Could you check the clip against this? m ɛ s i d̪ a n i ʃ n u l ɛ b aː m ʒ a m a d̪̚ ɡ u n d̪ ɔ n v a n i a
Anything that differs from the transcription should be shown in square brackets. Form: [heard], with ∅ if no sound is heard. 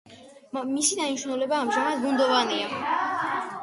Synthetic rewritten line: m [i] s i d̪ a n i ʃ n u l ɛ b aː m ʒ a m a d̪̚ ɡ u n d̪ ɔ [∅] v a n i a